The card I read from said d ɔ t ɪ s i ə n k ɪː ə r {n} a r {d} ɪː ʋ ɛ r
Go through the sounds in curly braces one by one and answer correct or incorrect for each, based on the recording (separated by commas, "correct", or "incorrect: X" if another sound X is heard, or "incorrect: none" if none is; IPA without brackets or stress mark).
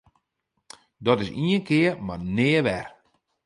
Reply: incorrect: m, incorrect: n